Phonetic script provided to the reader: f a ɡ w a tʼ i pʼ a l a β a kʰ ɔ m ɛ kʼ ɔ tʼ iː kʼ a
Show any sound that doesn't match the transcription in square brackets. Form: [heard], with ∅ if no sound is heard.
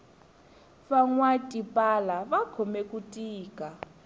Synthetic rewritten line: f a [ŋ] w a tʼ i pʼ a l a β a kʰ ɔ m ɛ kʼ [u] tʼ iː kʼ a